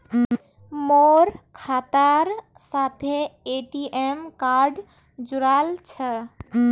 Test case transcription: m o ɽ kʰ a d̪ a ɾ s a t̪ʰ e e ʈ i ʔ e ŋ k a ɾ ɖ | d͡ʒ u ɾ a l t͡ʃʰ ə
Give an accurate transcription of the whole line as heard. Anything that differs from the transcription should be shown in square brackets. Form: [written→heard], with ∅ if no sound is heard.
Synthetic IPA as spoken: m o [ɽ→ɾ] kʰ a [d̪→t̪] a ɾ s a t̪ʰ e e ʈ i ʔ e [ŋ→m] k a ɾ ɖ | d͡ʒ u ɾ a l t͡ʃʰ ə